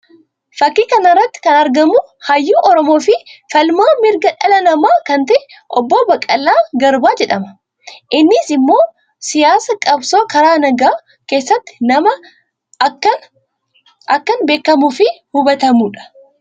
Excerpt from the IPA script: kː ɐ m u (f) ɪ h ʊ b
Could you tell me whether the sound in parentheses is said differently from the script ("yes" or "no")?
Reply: no